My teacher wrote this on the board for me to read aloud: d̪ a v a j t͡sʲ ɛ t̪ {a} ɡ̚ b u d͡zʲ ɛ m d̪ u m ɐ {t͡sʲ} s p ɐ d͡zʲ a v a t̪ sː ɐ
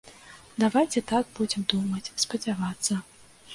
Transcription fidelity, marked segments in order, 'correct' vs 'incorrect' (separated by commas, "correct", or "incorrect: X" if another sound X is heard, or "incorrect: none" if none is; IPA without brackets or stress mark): correct, correct